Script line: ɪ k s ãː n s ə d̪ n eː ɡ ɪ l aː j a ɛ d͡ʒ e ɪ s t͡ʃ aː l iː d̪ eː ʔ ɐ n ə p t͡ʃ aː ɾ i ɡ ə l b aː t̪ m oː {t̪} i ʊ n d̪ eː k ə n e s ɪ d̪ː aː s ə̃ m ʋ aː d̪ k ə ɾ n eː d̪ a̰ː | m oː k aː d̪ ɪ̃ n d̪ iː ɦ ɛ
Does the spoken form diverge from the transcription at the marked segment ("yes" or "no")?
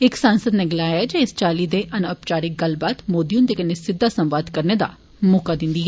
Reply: yes